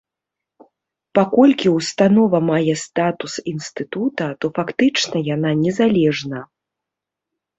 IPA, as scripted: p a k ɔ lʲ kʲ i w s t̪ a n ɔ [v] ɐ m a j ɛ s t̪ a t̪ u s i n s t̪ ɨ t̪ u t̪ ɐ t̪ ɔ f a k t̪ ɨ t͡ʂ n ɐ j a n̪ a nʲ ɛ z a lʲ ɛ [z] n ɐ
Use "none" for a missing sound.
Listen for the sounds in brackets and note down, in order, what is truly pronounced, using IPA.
v, ʐ

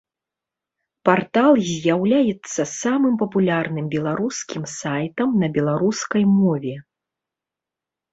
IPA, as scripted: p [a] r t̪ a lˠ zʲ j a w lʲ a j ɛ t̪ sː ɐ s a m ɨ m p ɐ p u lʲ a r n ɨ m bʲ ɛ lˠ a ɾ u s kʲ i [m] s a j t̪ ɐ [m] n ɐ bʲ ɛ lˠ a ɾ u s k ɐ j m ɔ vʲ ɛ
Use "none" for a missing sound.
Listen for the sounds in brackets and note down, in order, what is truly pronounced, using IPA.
a, m, m

